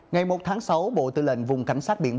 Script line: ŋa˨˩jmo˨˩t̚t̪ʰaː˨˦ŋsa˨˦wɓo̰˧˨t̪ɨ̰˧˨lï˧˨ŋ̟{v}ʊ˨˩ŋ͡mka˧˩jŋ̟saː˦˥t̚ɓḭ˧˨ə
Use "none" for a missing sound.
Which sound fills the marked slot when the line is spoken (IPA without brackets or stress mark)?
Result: v